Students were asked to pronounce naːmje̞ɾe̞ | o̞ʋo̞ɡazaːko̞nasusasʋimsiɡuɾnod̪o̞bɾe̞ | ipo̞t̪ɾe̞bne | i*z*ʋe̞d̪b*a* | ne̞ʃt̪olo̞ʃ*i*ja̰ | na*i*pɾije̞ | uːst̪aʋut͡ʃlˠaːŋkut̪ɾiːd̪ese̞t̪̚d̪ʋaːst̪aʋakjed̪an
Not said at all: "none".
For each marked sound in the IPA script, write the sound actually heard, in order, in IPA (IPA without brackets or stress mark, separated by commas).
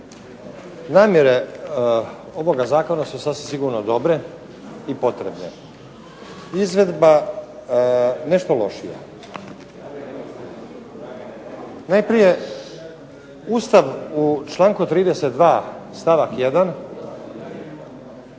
z, a, i, j